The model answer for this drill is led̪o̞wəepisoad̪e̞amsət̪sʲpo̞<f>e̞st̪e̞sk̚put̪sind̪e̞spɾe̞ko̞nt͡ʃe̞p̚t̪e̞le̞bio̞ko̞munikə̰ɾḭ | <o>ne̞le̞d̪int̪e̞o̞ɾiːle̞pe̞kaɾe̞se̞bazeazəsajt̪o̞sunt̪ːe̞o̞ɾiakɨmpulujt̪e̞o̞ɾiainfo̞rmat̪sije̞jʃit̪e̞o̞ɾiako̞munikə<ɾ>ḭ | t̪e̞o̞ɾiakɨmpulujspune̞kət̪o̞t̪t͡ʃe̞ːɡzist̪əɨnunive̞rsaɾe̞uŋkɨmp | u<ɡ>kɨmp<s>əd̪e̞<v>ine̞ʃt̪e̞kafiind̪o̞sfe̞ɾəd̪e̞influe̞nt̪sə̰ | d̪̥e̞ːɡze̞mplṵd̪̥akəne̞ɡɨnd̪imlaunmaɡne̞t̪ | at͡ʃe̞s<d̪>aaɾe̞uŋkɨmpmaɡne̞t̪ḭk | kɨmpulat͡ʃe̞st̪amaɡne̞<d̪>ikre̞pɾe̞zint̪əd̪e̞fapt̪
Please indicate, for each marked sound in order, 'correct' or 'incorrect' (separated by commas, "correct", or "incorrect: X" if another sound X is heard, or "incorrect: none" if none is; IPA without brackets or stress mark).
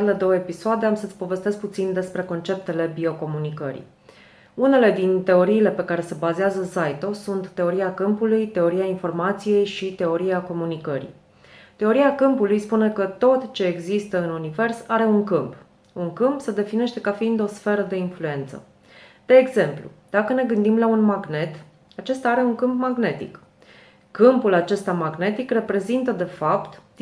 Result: incorrect: v, incorrect: u, correct, incorrect: ŋ, correct, incorrect: f, incorrect: t̪, incorrect: t̪